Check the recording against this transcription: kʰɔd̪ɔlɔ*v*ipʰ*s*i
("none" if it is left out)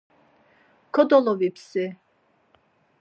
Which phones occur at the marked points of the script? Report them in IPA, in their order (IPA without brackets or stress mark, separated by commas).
v, s